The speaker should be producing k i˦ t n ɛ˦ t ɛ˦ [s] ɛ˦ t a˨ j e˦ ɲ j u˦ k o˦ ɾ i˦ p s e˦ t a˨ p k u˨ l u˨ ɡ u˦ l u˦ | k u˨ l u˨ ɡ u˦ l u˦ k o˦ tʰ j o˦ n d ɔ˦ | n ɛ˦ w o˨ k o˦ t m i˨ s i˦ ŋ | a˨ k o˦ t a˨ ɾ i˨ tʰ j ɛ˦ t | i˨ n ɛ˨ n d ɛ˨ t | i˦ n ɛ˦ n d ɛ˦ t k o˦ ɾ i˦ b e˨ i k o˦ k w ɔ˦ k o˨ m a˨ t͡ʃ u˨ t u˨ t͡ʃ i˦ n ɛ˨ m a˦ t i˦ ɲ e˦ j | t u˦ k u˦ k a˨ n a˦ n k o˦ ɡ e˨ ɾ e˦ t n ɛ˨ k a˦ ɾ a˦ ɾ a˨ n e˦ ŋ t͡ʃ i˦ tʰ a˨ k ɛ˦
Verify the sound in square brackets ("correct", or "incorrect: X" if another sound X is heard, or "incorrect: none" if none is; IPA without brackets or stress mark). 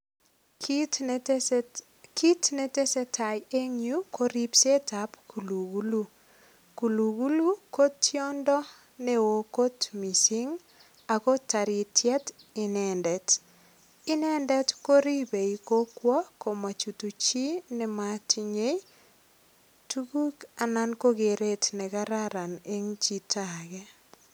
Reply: correct